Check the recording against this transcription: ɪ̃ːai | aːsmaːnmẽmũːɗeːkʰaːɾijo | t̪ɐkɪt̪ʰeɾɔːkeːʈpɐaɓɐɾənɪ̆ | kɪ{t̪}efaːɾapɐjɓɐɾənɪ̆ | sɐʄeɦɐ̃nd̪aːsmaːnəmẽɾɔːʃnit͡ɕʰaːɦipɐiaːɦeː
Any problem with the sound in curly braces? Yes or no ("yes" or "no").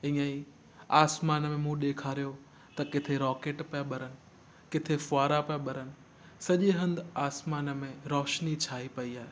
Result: yes